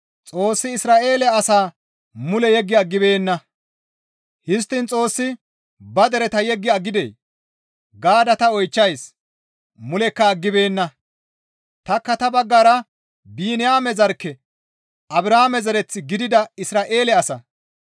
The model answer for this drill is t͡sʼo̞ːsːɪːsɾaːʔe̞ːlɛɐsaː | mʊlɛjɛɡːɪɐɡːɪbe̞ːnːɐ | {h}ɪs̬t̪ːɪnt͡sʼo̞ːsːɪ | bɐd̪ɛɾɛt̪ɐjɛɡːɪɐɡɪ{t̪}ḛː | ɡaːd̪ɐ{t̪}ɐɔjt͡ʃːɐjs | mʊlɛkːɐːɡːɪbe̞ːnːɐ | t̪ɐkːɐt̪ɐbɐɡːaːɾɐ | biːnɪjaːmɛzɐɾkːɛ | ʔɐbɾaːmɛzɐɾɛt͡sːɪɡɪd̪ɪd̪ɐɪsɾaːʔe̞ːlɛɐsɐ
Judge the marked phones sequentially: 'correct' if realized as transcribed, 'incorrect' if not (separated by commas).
correct, incorrect, correct